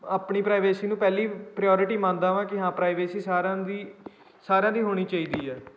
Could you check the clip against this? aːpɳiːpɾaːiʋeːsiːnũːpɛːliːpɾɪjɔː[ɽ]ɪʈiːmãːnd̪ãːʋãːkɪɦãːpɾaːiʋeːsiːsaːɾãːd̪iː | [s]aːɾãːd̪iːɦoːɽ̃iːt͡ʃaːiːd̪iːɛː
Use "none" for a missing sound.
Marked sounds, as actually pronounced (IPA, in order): ɾ, s

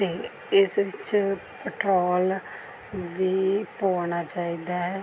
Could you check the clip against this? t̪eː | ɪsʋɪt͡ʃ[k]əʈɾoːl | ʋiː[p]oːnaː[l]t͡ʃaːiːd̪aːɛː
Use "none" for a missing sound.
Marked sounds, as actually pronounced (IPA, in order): p, p, none

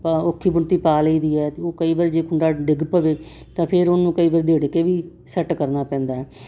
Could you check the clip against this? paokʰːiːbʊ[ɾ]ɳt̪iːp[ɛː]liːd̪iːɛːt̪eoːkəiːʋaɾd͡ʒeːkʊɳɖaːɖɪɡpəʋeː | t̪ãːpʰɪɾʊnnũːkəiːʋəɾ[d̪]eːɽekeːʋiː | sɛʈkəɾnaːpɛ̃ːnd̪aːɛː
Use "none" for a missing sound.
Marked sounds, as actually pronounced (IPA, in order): none, aː, d̪

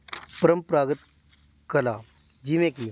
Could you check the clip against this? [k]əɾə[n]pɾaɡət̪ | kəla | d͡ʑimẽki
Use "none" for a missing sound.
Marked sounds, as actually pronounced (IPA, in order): p, m

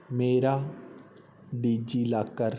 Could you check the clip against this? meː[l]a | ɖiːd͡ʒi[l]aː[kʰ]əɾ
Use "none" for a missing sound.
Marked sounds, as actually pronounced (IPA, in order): ɾ, l, k

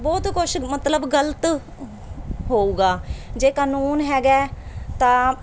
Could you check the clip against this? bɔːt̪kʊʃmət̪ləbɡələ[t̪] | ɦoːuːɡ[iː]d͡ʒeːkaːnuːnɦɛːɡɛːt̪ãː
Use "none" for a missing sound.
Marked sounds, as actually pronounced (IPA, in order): t̪, aː

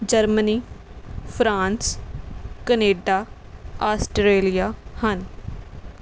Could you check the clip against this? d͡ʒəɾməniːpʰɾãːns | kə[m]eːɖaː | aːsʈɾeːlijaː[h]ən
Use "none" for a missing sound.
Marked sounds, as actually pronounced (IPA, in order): n, h

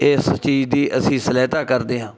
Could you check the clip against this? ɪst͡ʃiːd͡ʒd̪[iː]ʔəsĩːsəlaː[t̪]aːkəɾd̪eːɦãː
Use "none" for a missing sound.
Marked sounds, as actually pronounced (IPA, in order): iː, t̪

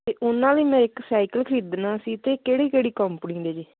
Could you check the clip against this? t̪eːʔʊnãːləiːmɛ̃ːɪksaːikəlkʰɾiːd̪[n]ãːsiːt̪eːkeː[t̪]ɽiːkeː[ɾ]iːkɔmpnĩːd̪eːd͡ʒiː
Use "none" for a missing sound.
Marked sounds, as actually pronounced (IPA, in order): n, none, ɽ

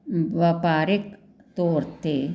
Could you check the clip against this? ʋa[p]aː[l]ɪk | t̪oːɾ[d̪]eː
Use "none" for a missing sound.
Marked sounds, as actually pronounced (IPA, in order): p, ɾ, t̪

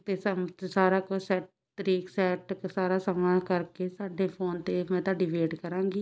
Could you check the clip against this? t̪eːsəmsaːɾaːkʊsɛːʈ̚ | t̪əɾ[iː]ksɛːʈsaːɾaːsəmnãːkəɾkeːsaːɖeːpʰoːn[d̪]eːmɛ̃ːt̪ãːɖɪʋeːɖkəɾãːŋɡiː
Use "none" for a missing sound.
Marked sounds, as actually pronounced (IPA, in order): iː, t̪

